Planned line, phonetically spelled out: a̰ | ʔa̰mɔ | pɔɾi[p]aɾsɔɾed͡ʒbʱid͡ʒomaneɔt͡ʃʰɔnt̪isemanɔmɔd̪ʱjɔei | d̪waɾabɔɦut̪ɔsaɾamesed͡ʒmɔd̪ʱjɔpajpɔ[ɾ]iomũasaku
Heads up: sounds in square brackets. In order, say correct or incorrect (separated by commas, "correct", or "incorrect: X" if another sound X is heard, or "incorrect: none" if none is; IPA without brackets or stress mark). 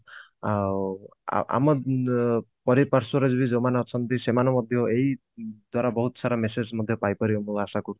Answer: correct, correct